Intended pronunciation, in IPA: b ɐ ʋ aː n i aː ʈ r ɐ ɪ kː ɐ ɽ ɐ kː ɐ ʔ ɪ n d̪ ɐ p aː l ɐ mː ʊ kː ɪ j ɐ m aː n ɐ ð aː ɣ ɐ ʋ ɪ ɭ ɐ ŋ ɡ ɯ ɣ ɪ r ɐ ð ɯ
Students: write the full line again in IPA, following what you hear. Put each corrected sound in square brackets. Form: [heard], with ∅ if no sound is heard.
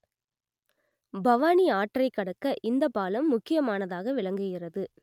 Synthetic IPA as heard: b ɐ ʋ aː n i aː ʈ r ɐ ɪ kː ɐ ɽ ɐ kː ɐ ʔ ɪ n d̪ ɐ p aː l ɐ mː ʊ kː ɪ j ɐ m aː n ɐ ð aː ɣ ɐ ʋ ɪ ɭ ɐ ŋ ɡ ɯ ɣ ɪ r ɐ ð ɯ